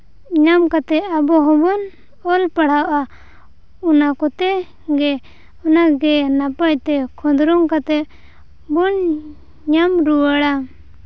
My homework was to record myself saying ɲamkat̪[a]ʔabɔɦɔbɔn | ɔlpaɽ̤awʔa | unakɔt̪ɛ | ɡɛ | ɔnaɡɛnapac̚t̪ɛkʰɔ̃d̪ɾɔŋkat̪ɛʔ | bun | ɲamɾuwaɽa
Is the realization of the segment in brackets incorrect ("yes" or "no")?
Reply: yes